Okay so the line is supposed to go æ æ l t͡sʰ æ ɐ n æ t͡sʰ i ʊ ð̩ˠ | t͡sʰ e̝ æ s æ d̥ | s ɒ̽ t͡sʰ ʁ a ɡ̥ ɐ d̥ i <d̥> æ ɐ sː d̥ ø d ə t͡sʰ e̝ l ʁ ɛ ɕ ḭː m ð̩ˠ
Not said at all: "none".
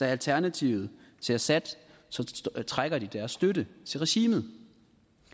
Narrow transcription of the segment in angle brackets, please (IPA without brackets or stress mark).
d̥